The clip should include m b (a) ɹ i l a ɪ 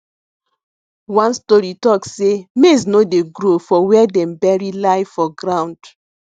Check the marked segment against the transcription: incorrect: ɛ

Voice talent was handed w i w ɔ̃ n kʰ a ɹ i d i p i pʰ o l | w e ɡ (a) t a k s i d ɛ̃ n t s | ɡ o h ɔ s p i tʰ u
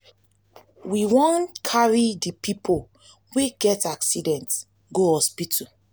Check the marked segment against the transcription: incorrect: ɛ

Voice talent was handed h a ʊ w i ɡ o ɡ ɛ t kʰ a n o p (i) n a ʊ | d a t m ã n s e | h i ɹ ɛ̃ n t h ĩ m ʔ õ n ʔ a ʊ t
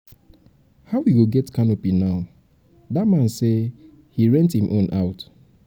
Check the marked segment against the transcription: correct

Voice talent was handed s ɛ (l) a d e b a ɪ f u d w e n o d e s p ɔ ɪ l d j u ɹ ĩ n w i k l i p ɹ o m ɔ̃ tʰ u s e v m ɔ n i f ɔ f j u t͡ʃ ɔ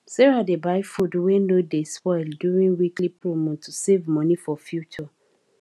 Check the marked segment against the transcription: incorrect: ɹ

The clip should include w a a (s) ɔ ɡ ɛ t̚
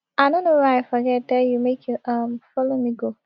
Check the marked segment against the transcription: incorrect: f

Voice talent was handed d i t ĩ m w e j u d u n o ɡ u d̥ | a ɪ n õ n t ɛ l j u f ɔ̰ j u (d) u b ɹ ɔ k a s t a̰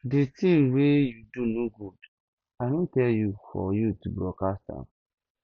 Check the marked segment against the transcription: incorrect: t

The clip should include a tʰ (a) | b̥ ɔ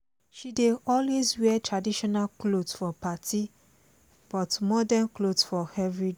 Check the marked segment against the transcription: incorrect: i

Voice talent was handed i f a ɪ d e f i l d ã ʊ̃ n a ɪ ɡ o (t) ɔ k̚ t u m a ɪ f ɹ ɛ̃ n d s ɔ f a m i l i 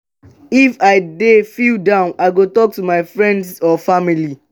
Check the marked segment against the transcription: correct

